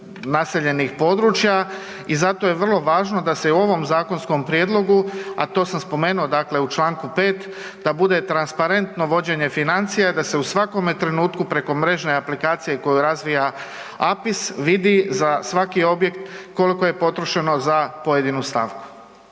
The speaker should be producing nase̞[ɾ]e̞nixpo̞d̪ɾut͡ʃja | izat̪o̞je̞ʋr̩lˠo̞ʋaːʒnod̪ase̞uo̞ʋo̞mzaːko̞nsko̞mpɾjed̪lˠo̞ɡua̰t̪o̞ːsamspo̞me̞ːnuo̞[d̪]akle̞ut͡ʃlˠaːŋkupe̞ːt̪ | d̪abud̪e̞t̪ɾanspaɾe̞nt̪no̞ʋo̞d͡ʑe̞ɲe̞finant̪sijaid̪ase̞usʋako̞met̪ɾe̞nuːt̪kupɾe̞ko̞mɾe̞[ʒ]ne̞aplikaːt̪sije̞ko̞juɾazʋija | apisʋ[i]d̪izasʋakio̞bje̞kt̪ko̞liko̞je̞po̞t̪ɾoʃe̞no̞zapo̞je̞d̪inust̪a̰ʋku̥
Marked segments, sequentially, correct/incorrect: incorrect: ʎ, correct, correct, correct

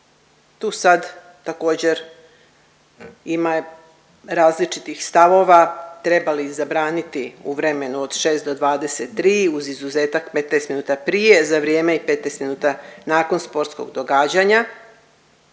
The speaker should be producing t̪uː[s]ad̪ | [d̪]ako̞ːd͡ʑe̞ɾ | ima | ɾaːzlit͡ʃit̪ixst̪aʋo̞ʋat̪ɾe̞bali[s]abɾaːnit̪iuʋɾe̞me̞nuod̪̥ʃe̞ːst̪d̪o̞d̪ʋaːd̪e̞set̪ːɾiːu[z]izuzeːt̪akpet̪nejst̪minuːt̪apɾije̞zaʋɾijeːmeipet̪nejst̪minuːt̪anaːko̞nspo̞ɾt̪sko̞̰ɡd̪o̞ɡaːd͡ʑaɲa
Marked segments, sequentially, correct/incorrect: correct, incorrect: t̪, incorrect: z, correct

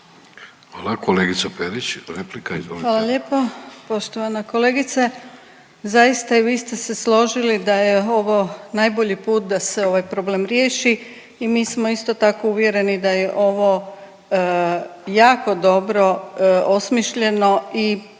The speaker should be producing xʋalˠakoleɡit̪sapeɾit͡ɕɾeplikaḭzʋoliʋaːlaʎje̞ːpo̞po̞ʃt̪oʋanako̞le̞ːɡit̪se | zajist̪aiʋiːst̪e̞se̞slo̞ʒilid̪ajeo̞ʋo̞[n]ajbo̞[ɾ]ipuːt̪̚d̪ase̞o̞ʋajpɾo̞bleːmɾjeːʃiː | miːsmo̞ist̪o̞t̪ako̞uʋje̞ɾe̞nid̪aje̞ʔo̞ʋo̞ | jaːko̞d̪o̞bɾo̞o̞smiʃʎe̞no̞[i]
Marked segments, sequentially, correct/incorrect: correct, incorrect: ʎ, correct

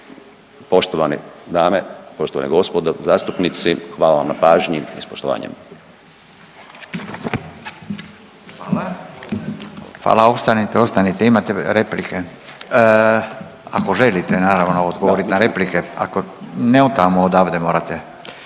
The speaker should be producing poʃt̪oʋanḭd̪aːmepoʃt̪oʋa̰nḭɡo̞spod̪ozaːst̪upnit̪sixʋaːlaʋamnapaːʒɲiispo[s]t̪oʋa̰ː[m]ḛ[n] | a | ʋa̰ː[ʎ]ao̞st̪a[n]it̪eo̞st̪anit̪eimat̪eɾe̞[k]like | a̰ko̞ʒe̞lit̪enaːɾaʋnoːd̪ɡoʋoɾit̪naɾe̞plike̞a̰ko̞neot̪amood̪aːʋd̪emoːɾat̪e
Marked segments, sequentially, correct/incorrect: incorrect: ʃ, incorrect: ɲ, incorrect: m, incorrect: l, correct, incorrect: p

